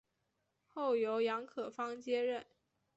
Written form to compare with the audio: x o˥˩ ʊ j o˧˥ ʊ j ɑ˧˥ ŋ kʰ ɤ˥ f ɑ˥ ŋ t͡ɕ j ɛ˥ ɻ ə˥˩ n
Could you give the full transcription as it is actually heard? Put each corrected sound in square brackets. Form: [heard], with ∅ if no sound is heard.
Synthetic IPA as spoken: x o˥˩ ʊ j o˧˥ ʊ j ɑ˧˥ ŋ kʰ [ɤ˨˩] f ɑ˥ ŋ t͡ɕ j ɛ˥ ɻ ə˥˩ n